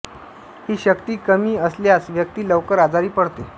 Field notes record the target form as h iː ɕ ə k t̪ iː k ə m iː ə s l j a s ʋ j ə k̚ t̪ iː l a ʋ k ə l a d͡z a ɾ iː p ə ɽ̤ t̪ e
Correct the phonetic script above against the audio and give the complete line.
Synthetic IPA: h iː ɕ ə k t̪ iː k ə m iː ə s l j a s ʋ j ə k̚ t̪ iː l ə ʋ k ə ɾ a d͡z a ɾ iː p ə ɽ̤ t̪ e

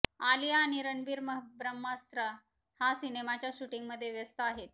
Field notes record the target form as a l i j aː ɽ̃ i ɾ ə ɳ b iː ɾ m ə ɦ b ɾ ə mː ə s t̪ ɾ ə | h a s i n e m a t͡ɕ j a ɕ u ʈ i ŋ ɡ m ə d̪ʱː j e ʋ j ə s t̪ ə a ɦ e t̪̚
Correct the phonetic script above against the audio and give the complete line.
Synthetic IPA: a l i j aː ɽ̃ i ɾ ə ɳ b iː ɾ m ə ɦ b ɾ ə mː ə s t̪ ɾ ə | h a s i n e m a t͡ɕ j a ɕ u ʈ i ŋ ɡ m ə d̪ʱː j e ʋ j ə s t̪ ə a ɦ e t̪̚

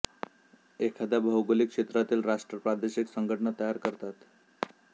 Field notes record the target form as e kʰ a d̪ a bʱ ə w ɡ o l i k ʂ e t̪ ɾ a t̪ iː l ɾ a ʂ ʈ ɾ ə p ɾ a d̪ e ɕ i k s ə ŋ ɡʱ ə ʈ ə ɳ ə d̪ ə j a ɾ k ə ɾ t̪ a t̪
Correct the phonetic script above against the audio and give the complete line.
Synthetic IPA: e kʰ a d̪ a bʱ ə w ɡ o l i k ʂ e t̪ ɾ a t̪ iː l ɾ a ʂ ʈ ɾ ə p ɾ a d̪ e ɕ i k s ə ŋ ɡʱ ə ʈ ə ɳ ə t̪ ə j a ɾ k ə ɾ t̪ a t̪

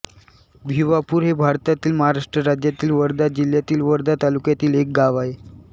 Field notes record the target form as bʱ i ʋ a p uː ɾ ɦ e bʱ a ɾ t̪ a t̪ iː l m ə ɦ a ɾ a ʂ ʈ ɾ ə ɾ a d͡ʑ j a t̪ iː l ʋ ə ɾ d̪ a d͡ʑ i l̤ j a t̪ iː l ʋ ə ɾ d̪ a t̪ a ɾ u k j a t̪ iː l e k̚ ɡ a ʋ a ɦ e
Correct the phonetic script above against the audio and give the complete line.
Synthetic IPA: bʱ i ʋ a p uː ɾ ɦ e bʱ a ɾ t̪ a t̪ iː l m ə ɦ a ɾ a ʂ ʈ ɾ ə ɾ a d͡ʑ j a t̪ iː l ʋ ə ɾ d̪ a d͡ʑ i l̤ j a t̪ iː l ʋ ə ɾ d̪ a t̪ a l u k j a t̪ iː l e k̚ ɡ a ʋ a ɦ e

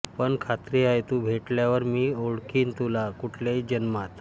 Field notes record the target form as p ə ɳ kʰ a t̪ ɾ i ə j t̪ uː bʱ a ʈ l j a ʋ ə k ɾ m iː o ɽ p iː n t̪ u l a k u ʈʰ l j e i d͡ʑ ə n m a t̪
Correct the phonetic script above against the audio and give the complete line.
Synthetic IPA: p ə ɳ kʰ a t̪ ɾ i a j t̪ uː bʱ e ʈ l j a ʋ ə ɾ m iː o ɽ k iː n t̪ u l a k u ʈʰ l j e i d͡ʑ ə n m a t̪

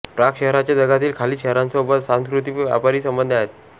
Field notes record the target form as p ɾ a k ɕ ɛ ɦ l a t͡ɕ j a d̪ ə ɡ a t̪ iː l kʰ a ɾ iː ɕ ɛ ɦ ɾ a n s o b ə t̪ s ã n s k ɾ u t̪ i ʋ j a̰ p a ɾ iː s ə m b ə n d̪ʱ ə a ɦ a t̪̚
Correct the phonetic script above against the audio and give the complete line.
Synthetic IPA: p ɾ a k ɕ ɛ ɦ ɾ a t͡ɕ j a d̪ ə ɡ a t̪ iː l kʰ a l iː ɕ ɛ ɦ ɾ a n s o b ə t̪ s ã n s k ɾ u t̪ i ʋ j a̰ p a ɾ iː s ə m b ə n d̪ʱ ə a ɦ e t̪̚

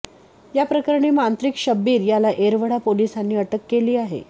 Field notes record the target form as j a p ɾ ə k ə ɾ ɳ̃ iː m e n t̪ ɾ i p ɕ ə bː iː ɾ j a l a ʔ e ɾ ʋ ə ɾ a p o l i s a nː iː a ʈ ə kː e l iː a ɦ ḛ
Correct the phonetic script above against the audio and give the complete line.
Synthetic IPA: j a p ɾ ə k ə ɾ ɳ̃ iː m a n t̪ ɾ i k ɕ ə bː iː ɾ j a l a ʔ e ɾ ʋ ə ɽ a p o l i s a nː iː ə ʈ ə kː e l iː a ɦ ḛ

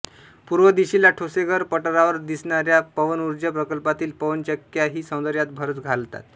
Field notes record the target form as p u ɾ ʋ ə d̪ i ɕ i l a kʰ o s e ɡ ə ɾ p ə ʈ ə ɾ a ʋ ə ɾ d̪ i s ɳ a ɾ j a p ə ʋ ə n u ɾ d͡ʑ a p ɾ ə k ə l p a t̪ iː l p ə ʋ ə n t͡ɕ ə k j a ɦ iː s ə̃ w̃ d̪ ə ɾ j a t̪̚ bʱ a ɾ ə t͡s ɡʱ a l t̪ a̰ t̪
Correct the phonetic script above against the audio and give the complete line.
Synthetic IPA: p u ɾ ʋ ə d̪ i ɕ i l a ʈʰ o s e ɡ ə ɾ p ə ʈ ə ɾ a ʋ ə ɾ d̪ i s ɳ a ɾ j a p ə ʋ ə n u ɾ d͡ʑ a p ɾ ə k ə l p a t̪ iː l p ə ʋ ə n t͡ɕ ə k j a ɦ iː s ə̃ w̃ d̪ ə ɾ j a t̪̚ bʱ ə ɾ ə t͡s ɡʱ a l t̪ a̰ t̪

